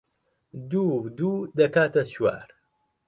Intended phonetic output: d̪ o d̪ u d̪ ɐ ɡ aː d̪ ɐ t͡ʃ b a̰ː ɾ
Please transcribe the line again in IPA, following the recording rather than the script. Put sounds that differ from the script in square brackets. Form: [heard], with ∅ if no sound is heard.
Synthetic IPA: d̪ [u] d̪ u d̪ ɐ [k] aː [t̪] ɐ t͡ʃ [w] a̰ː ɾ